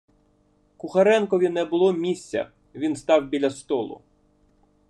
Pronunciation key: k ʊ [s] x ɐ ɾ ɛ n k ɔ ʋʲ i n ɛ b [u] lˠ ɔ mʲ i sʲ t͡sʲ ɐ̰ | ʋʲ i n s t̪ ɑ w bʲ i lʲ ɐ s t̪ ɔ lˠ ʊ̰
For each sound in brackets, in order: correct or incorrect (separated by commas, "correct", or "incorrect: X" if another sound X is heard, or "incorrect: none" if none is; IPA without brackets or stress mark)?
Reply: incorrect: none, incorrect: ʊ